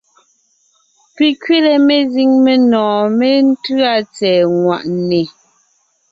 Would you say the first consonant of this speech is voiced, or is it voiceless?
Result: voiceless